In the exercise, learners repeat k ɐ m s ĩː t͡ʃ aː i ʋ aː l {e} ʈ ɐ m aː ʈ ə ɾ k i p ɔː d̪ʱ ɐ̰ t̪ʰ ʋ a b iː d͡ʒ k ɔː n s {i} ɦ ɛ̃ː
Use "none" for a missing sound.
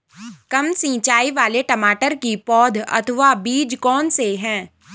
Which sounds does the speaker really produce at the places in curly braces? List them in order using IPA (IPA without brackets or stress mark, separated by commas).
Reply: e, e